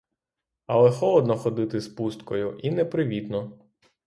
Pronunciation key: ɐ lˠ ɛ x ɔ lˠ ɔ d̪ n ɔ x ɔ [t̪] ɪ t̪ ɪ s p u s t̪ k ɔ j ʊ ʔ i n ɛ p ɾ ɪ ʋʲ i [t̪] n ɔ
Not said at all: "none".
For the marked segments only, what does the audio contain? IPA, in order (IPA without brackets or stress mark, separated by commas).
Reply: d̪, t̪